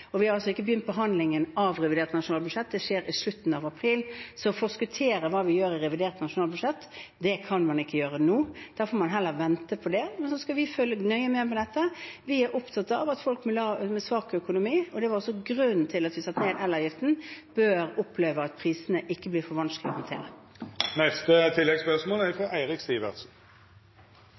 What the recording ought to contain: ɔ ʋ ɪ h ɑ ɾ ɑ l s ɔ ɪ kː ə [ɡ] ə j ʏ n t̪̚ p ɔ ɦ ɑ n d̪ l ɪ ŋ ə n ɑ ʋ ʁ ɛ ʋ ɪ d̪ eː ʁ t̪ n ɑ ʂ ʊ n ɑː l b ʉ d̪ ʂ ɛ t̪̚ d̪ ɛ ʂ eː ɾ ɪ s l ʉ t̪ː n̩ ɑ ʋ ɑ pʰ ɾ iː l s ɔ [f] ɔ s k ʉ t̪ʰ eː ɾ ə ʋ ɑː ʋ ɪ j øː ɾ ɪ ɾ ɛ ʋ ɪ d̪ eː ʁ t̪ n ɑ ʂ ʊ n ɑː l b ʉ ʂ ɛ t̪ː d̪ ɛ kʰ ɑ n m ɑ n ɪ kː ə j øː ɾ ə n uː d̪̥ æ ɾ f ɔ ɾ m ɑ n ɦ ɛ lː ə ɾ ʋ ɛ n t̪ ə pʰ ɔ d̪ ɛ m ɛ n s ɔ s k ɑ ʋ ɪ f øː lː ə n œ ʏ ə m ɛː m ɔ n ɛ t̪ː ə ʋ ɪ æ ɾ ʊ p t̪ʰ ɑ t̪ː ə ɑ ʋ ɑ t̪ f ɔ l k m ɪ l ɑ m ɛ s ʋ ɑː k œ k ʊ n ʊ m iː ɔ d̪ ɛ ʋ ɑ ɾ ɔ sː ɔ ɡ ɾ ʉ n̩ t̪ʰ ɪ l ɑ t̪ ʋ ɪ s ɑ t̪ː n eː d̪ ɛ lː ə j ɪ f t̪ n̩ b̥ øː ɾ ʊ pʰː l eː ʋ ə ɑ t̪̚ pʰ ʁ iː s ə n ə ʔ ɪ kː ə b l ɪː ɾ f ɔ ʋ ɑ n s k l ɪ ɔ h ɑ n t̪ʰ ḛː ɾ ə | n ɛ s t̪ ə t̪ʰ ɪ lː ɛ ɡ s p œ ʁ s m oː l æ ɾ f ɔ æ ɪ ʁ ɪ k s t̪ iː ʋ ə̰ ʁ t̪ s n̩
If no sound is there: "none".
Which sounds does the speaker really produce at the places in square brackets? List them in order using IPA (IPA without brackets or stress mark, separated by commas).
b, f